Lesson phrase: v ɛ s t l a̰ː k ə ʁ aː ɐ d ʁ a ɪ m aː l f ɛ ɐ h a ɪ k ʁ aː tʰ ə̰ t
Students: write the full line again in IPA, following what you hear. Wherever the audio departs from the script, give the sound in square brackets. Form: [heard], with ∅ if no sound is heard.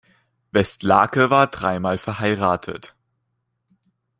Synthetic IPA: v ɛ s t l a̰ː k ə [v] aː ɐ d ʁ a ɪ m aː l f ɛ ɐ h a ɪ [∅] ʁ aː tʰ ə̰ t